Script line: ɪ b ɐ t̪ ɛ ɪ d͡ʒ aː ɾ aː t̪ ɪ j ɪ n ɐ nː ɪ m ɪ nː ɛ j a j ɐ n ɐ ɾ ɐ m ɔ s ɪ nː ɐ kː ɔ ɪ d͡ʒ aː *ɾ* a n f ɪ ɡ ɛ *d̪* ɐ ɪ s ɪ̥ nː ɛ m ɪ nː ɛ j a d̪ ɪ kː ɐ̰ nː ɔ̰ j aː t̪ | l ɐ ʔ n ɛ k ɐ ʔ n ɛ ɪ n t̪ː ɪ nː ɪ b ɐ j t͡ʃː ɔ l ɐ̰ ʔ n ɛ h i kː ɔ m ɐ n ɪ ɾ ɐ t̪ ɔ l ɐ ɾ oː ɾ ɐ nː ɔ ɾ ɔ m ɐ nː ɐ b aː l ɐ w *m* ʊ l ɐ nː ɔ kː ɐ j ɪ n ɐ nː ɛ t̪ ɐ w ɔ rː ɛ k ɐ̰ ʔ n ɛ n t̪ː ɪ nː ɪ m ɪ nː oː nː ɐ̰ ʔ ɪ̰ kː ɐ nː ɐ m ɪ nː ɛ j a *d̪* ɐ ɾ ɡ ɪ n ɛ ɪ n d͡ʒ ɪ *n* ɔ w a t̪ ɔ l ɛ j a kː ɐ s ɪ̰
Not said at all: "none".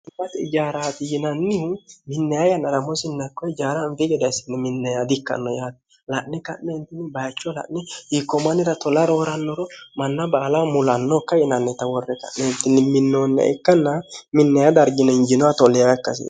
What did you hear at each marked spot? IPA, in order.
ɾ, d̪, m, d̪, n

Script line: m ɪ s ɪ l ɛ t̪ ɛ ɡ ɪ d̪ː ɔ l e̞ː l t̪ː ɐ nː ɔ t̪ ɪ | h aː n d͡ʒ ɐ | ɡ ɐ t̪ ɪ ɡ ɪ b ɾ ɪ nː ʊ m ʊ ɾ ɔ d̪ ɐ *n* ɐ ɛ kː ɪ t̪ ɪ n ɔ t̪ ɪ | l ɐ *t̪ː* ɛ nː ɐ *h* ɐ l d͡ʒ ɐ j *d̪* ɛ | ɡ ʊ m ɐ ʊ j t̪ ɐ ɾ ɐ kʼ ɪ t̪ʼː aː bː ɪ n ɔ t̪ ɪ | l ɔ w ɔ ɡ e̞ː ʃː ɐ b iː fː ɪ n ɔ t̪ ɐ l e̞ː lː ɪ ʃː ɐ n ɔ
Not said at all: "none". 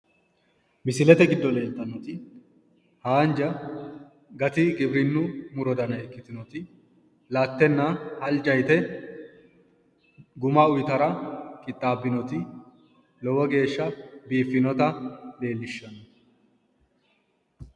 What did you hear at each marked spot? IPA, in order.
n, t̪ː, h, t̪

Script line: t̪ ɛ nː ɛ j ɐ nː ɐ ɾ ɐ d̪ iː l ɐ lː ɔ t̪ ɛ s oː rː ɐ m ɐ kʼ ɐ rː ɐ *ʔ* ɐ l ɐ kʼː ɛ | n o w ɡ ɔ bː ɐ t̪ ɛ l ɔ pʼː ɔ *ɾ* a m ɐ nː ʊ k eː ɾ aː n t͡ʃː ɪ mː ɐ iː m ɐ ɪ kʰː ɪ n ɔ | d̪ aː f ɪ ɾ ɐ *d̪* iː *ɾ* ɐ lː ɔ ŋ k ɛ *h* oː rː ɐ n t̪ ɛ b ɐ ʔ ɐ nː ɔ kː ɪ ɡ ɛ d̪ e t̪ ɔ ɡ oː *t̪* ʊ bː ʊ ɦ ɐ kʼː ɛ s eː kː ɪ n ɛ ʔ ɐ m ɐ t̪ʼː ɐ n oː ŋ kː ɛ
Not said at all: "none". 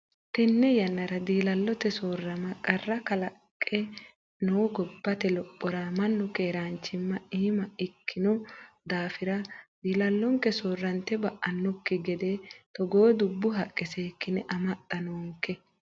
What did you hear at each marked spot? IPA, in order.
k, ɾ, d̪, l, s, d̪

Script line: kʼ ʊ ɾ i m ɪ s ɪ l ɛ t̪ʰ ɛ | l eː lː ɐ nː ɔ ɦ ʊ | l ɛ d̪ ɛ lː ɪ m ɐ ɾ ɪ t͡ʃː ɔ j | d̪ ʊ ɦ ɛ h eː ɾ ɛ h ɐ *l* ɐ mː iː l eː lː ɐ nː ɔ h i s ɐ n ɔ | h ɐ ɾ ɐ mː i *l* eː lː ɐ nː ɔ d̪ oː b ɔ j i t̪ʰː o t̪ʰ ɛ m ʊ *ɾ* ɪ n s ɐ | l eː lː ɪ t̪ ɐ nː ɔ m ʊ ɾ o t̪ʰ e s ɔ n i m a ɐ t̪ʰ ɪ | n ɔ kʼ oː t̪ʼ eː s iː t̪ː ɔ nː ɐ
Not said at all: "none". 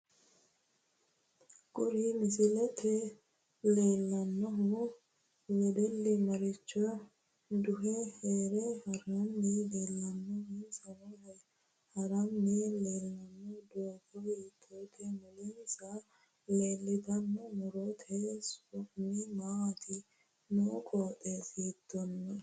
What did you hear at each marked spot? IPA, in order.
ɾ, l, l

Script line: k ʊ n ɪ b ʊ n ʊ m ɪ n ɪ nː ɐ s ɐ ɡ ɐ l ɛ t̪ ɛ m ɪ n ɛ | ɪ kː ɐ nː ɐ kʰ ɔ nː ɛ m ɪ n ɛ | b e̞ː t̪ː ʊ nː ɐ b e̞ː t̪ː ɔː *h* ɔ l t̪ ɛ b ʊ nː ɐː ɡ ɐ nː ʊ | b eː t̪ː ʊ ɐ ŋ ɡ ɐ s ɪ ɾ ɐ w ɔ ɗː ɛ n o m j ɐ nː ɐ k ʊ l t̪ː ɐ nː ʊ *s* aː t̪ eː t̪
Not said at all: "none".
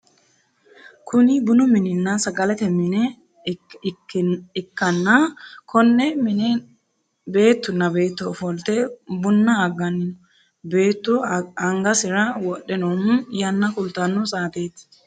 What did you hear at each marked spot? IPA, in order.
f, s

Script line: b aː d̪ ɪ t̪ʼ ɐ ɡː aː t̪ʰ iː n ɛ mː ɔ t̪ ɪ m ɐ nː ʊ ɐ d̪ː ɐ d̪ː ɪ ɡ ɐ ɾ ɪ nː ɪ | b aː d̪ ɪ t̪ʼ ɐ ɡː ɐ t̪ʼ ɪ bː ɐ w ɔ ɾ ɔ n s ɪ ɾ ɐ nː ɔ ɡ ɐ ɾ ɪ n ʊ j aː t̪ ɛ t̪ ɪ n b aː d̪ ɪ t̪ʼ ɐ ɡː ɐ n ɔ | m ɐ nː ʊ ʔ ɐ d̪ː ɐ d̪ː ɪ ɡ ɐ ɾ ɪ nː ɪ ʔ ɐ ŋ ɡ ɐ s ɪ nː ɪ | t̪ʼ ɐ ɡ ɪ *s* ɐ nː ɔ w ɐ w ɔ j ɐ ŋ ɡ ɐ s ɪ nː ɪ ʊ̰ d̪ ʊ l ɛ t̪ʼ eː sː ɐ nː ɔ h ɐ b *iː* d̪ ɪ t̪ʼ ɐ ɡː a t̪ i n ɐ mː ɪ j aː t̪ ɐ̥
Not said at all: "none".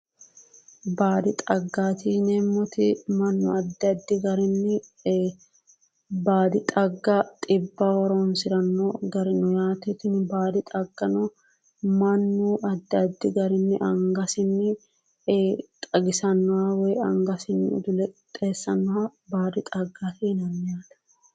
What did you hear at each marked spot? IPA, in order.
s, aː

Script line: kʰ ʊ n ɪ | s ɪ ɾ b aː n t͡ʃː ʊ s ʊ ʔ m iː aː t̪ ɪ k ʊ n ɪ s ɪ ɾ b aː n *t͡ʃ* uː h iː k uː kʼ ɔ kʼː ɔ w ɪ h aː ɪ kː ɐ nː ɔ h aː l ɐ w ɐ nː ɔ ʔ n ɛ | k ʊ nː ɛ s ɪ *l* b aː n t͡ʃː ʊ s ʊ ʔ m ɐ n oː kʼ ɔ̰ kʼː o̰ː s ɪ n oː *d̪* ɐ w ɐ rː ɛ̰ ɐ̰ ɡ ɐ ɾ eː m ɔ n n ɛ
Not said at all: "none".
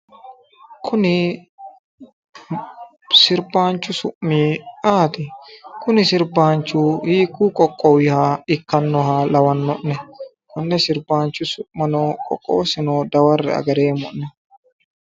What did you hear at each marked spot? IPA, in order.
t͡ʃ, ɾ, d̪

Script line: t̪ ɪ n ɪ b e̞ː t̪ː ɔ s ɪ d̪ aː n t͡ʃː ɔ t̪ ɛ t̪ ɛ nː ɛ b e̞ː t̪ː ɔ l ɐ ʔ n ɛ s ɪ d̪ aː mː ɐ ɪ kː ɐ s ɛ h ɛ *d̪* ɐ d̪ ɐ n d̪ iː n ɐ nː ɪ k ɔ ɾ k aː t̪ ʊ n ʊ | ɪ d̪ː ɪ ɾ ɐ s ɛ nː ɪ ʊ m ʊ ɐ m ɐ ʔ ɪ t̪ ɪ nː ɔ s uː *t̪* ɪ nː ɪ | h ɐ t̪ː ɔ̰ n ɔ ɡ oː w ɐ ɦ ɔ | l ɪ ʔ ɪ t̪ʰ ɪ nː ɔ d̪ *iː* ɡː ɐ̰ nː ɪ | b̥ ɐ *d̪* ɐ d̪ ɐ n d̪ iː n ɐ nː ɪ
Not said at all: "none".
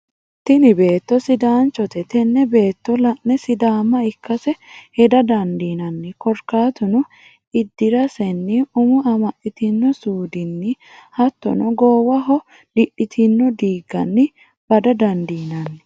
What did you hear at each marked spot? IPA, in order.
d̪, d̪, iː, d̪

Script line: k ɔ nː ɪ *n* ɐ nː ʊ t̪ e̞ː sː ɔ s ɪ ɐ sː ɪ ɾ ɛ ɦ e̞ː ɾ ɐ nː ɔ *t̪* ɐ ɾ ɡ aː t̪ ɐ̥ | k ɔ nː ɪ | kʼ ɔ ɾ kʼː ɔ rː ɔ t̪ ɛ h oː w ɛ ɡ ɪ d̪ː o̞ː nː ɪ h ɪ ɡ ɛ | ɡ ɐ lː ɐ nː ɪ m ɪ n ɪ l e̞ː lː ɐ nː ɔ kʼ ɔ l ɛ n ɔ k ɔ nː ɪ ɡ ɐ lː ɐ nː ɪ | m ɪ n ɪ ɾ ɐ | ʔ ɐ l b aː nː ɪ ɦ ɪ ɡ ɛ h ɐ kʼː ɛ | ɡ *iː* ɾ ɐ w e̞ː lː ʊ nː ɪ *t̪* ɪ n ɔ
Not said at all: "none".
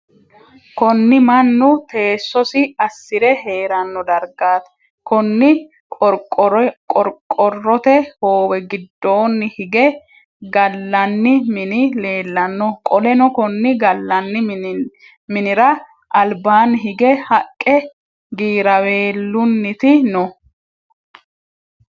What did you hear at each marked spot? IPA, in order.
m, d̪, iː, t̪

